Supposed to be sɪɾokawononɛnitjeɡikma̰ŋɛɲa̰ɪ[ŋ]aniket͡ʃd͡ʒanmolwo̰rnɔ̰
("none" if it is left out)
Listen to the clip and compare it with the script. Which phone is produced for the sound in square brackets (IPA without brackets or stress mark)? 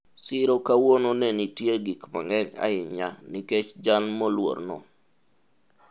ɲ